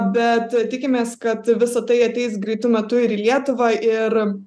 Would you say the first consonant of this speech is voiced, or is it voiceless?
voiced